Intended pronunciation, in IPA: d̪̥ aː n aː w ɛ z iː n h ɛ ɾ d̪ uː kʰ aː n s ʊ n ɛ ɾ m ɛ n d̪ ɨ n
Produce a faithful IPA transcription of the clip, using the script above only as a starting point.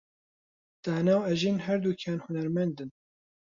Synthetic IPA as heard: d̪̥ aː n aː w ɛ ʒ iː n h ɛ ɾ d̪ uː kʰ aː n h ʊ n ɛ ɾ m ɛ n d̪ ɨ n